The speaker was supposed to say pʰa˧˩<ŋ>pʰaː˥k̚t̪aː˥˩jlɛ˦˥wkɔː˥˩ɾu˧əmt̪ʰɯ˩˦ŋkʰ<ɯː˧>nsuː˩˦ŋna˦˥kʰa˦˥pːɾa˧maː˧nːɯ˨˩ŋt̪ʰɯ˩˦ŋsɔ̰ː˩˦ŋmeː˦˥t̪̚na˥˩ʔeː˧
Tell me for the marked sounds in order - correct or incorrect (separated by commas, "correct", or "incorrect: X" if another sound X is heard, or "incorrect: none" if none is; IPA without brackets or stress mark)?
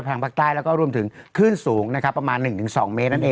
correct, incorrect: ɯː˥˩